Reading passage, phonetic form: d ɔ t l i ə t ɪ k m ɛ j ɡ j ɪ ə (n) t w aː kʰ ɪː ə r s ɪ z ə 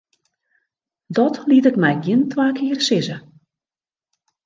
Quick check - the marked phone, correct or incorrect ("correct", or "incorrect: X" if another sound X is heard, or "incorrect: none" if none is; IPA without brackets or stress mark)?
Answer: correct